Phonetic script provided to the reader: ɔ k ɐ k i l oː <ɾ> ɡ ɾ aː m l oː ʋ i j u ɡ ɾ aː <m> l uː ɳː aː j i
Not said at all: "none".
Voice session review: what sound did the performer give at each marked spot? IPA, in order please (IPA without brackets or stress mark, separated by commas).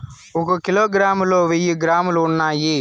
none, m